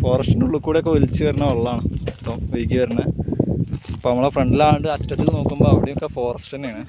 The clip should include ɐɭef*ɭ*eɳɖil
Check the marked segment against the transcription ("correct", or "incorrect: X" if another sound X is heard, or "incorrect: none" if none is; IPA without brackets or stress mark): incorrect: r